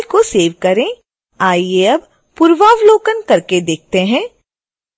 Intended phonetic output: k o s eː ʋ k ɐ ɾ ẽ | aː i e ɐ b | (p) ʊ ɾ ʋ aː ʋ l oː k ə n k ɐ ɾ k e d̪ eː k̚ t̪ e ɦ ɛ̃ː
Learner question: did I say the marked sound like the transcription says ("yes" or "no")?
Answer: yes